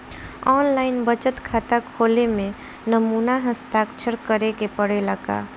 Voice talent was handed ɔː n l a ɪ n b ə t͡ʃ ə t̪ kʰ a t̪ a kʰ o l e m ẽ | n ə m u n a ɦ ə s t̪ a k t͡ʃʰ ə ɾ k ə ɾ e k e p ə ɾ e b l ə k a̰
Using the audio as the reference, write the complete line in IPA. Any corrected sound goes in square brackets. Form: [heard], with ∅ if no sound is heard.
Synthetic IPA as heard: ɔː n l a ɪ n b ə t͡ʃ ə t̪ kʰ a t̪ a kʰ o l e m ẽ | n ə m u n a ɦ ə s t̪ a k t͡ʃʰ ə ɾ k ə ɾ e k e p ə [ɽ] e [∅] l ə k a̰